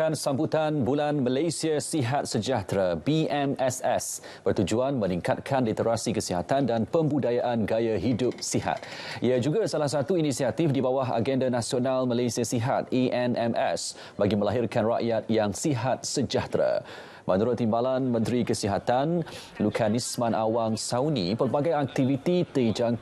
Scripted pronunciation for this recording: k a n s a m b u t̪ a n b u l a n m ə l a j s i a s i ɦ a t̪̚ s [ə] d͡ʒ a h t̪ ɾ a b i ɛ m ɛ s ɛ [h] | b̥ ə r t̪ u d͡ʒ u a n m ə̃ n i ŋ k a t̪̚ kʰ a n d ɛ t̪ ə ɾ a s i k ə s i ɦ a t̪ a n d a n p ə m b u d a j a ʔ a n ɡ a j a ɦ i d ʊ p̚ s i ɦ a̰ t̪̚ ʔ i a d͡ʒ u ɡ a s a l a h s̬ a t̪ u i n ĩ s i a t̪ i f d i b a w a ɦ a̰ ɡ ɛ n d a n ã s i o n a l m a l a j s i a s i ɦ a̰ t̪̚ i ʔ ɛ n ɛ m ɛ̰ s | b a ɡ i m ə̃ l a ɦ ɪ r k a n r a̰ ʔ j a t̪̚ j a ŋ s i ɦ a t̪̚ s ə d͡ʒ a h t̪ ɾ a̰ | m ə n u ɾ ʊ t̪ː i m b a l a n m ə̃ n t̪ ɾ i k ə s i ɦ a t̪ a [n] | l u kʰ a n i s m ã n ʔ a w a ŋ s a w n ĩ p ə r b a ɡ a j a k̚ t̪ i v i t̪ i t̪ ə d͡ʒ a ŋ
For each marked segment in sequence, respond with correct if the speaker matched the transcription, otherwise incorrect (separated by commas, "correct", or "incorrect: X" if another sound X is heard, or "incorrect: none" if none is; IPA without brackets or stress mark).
correct, incorrect: s, correct